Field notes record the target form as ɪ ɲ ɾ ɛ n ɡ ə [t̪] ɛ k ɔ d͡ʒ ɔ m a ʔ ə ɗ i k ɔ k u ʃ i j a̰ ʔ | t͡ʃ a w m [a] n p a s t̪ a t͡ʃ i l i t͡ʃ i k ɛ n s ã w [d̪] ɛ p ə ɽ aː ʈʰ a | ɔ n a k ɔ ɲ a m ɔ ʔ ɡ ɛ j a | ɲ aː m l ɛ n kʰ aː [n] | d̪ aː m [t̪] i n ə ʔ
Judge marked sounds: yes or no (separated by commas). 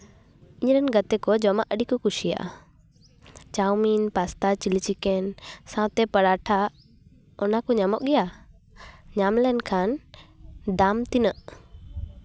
yes, no, no, yes, yes